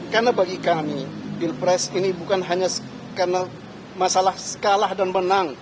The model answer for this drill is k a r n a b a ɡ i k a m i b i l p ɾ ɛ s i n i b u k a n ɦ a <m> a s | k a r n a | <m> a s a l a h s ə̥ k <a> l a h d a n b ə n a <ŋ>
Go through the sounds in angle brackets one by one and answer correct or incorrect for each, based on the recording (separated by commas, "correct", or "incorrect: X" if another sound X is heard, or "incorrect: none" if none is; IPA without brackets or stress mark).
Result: incorrect: ɲ, correct, correct, correct